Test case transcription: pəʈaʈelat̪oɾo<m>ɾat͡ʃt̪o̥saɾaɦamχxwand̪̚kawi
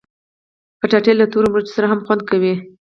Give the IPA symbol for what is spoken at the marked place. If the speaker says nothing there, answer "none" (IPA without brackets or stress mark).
m